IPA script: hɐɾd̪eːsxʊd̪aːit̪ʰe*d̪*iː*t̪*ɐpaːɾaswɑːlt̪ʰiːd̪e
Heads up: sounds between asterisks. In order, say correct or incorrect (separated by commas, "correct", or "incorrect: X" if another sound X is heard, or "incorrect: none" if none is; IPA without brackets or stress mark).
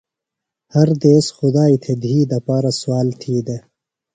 correct, incorrect: d̪